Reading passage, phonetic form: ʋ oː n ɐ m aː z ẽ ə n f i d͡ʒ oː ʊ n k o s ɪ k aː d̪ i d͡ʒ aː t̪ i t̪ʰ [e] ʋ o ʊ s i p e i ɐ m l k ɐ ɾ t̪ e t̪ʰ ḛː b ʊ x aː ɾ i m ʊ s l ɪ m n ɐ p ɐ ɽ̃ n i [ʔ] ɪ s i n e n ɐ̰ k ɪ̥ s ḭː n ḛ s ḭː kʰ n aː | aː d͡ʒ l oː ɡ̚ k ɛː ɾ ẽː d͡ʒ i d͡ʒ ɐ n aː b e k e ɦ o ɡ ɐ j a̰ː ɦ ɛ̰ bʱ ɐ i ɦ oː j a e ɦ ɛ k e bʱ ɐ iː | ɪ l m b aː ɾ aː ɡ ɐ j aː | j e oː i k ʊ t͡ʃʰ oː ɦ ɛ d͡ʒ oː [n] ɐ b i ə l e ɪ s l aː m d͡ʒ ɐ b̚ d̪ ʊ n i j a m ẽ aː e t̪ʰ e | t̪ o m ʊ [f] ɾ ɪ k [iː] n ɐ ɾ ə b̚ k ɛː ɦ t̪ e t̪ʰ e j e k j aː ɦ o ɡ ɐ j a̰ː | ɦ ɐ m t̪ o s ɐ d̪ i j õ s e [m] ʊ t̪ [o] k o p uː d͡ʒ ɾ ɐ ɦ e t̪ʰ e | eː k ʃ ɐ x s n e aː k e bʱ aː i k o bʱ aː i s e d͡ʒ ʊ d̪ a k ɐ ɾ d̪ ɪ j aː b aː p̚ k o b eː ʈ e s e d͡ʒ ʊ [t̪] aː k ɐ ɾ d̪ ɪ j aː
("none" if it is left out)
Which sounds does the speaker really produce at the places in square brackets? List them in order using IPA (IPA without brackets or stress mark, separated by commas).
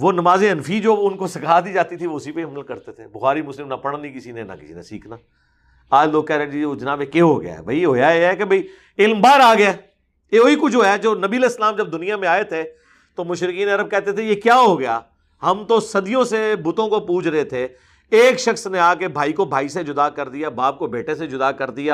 i, k, n, ʃ, iː, b, õ, d̪